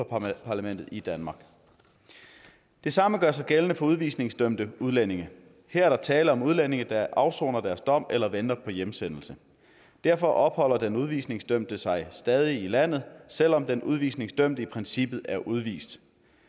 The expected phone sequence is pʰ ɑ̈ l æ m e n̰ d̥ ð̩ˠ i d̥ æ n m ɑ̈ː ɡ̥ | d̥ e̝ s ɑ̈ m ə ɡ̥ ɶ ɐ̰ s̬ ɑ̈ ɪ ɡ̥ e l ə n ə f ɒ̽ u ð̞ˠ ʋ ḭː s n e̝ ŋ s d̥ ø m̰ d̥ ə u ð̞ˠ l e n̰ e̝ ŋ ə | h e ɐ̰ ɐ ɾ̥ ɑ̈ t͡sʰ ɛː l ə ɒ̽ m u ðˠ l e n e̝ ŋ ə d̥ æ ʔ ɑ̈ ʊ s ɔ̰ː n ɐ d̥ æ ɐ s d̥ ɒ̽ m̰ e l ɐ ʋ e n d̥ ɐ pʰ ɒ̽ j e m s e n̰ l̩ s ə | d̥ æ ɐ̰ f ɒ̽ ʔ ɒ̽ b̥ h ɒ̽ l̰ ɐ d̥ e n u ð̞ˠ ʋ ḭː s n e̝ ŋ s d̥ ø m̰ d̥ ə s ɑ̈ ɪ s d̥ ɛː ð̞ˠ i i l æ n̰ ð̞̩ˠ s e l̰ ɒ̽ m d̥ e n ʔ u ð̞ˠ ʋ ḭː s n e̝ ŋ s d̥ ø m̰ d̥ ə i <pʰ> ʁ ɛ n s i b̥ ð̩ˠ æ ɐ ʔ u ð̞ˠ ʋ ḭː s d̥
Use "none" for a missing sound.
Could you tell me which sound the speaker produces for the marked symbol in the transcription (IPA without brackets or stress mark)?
pʰ